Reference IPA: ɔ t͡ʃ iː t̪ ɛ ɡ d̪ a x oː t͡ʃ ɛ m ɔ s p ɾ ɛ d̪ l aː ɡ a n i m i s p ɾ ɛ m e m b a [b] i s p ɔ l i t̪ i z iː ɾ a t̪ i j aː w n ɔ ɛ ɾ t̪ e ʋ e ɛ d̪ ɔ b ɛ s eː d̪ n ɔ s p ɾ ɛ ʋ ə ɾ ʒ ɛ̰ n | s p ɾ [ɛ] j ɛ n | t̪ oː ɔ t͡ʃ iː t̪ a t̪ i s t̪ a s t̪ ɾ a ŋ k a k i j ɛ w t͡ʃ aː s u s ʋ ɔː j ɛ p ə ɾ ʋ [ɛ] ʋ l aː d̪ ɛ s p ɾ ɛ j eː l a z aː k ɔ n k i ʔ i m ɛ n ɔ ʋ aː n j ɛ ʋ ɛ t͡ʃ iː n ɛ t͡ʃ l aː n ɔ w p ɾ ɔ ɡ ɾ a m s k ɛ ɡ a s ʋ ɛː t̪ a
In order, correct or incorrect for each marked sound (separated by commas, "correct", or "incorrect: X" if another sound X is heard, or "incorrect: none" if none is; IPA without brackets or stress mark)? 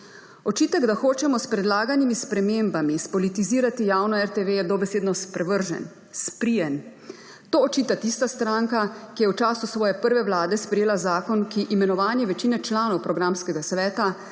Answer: incorrect: m, incorrect: i, correct